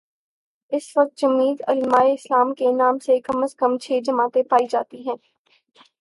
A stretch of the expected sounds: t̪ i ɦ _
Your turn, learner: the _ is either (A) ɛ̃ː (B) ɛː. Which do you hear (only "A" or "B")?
A